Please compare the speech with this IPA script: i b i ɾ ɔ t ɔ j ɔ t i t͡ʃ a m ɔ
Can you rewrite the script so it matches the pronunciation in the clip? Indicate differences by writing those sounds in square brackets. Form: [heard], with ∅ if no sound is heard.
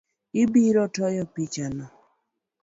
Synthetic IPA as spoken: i b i ɾ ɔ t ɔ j ɔ [p] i t͡ʃ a [n] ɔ